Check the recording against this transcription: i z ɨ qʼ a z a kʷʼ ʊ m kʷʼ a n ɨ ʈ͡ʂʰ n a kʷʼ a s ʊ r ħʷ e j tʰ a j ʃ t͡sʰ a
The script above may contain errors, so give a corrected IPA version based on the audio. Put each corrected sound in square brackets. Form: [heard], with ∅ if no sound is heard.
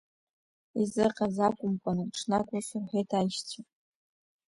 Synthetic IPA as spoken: i z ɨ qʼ a z a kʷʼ ʊ m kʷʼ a n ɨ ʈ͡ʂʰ n a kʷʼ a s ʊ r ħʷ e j tʰ a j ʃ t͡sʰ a